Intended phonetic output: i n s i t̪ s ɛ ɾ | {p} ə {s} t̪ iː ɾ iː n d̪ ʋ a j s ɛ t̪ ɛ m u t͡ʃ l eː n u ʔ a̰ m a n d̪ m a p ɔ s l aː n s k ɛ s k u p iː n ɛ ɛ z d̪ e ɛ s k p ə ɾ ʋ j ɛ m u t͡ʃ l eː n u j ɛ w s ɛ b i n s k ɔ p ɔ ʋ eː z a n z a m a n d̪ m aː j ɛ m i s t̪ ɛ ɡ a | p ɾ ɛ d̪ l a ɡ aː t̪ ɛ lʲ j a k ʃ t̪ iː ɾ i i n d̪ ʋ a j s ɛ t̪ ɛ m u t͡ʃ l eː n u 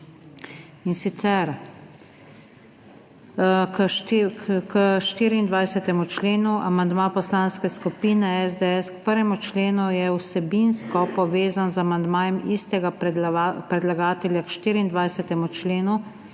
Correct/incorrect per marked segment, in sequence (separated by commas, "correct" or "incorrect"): incorrect, incorrect